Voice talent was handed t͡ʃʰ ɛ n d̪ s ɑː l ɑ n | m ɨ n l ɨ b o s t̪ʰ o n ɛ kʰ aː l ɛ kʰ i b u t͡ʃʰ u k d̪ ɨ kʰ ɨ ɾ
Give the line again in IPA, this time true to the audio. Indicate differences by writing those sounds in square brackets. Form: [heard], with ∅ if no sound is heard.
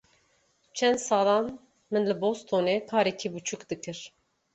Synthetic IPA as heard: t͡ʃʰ ɛ n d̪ s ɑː l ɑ n | m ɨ n l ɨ b o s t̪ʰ o n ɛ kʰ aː [ɾ] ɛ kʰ i b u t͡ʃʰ u k d̪ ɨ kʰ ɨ ɾ